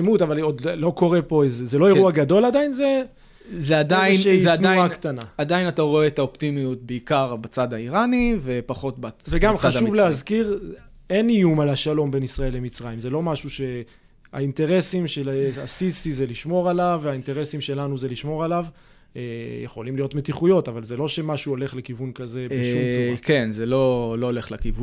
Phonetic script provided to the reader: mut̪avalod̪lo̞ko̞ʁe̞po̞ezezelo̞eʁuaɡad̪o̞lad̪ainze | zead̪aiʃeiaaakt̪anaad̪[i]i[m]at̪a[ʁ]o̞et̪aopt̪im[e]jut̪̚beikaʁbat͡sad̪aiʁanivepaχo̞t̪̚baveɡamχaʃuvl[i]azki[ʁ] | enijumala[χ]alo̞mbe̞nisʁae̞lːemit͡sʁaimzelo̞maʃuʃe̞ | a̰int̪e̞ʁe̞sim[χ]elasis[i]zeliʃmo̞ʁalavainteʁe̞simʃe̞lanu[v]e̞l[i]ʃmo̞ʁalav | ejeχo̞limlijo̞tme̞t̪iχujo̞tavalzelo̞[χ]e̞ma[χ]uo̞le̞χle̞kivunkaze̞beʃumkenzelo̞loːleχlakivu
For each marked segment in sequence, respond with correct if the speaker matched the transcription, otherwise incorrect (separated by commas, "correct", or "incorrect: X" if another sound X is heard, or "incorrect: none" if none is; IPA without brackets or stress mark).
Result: incorrect: a, incorrect: n, correct, incorrect: i, incorrect: e, correct, incorrect: ʃ, incorrect: ʃ, correct, incorrect: z, correct, incorrect: ʃ, incorrect: ʃ